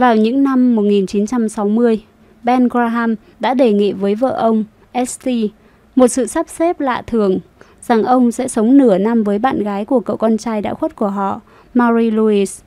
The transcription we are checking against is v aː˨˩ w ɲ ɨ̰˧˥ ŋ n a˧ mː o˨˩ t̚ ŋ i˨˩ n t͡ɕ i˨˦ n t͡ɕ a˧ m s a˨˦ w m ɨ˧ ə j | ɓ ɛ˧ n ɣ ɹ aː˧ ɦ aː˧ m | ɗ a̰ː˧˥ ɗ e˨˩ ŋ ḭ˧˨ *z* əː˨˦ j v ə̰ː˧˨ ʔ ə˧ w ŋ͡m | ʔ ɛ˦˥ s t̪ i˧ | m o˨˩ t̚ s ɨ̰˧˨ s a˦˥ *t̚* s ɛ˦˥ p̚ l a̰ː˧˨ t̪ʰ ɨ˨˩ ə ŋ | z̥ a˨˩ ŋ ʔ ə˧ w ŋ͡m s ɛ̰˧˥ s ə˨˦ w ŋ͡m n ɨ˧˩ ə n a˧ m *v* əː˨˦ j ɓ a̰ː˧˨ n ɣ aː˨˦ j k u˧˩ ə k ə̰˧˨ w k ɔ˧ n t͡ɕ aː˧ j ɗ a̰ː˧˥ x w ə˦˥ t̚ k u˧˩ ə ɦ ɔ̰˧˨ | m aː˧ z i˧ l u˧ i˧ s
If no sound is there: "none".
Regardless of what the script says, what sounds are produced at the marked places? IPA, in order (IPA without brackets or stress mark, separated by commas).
v, p̚, v